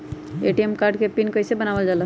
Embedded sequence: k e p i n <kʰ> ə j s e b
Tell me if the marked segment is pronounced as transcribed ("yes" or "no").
no